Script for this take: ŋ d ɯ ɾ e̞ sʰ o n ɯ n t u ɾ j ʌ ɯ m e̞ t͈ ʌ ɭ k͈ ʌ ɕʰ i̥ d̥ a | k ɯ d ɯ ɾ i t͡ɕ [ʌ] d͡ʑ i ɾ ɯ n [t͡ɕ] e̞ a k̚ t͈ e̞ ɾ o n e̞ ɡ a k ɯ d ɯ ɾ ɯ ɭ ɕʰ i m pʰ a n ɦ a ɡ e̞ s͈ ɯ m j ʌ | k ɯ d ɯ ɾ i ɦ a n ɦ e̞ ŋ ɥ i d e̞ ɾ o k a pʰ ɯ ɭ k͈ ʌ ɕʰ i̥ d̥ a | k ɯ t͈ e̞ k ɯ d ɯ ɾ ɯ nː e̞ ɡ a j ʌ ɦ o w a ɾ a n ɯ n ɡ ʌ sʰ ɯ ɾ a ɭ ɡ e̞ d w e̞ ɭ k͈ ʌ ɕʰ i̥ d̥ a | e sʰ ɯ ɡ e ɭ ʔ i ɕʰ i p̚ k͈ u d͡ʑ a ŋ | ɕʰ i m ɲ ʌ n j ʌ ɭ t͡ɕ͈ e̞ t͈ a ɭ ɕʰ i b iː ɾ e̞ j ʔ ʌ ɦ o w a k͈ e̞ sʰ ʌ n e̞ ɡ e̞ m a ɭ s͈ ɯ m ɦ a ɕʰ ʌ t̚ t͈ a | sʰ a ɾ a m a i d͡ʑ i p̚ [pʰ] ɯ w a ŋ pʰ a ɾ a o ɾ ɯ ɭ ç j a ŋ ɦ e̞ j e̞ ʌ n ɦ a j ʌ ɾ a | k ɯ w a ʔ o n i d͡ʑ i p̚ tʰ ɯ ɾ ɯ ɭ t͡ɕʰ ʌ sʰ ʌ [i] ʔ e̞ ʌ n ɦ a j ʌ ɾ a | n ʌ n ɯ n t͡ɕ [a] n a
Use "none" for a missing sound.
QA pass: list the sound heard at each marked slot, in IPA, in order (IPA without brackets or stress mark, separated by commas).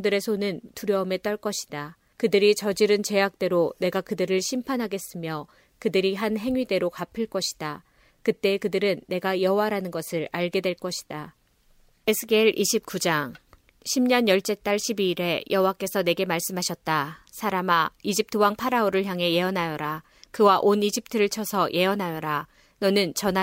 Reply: ʌ, t͡ɕ, tʰ, j, ʌ